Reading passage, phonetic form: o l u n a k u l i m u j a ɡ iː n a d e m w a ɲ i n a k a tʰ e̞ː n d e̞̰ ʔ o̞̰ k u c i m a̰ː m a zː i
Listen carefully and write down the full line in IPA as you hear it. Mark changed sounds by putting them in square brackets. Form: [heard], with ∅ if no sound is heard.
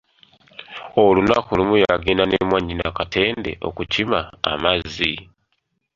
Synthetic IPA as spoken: o l u n a k u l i m u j a ɡ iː n a [n] e m w a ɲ i n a k a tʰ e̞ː n d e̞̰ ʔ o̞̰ k u c i m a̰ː m a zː i